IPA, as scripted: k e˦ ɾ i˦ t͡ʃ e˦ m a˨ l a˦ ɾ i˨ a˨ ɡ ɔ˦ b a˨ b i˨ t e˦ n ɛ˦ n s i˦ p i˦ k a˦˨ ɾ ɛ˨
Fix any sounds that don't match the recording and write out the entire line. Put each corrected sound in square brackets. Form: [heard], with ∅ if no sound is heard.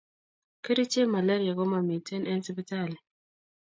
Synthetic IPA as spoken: k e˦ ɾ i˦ t͡ʃ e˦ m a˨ l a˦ ɾ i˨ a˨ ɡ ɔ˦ [m] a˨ [m] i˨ t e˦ n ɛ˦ n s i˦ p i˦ [t] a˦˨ [l] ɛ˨